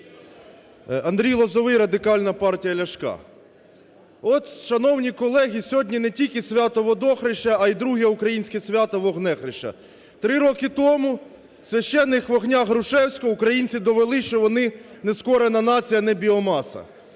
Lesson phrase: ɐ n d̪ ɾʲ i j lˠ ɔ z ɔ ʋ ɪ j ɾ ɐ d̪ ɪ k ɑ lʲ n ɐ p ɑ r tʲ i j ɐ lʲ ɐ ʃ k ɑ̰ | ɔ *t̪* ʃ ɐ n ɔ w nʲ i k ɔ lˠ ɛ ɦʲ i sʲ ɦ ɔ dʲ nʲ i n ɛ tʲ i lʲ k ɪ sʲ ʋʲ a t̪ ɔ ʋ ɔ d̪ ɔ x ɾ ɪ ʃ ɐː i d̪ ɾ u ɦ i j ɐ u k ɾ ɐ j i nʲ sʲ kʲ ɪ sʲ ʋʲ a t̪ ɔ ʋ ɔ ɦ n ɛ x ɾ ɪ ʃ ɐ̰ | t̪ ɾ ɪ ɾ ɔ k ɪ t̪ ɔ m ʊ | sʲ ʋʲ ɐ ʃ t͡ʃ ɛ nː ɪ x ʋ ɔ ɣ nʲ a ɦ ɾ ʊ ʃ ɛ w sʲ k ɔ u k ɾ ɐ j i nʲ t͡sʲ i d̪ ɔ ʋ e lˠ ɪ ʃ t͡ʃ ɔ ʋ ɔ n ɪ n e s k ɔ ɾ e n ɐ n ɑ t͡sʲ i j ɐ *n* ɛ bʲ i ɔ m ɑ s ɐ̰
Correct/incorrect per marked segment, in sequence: correct, correct

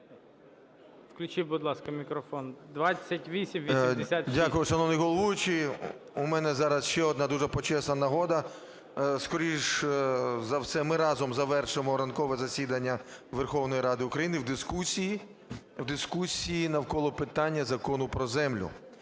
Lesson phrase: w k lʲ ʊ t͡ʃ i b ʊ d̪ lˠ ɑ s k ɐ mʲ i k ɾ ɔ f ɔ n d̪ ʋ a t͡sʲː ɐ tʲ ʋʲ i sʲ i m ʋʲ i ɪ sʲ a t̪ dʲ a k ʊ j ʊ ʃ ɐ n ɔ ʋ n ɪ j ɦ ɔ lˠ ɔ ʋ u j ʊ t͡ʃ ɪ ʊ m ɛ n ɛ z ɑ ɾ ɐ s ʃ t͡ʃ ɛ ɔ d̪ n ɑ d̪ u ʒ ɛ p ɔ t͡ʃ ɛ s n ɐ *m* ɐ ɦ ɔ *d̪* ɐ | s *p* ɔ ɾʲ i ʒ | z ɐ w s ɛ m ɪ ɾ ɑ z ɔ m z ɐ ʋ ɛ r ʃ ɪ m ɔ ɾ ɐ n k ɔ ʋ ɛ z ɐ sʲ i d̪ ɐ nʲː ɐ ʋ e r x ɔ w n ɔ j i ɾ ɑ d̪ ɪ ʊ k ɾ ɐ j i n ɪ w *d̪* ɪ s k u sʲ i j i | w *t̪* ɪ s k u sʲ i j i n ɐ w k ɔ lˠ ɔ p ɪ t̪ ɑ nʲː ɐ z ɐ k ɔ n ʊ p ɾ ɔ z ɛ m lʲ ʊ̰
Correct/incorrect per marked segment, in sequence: incorrect: n, correct, incorrect: k, correct, incorrect: d̪

